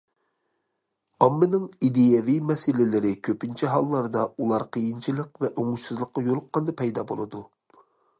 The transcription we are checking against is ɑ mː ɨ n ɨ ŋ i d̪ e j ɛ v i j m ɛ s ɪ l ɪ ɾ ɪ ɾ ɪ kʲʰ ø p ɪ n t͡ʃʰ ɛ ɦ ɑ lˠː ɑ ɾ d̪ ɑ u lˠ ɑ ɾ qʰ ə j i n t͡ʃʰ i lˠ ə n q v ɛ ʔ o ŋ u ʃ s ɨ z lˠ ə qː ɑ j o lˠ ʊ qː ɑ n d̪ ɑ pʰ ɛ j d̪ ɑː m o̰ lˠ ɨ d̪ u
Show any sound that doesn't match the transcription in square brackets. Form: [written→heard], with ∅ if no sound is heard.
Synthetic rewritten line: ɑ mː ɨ n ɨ ŋ i d̪ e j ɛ v i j m ɛ s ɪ l ɪ [ɾ→l] ɪ ɾ ɪ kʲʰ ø p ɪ n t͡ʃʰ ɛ ɦ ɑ lˠː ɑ ɾ d̪ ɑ u lˠ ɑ ɾ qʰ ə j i n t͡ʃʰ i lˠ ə [n→∅] q v ɛ ʔ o ŋ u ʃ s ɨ z lˠ ə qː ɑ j o lˠ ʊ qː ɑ n d̪ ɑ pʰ ɛ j d̪ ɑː [m→b] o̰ lˠ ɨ d̪ u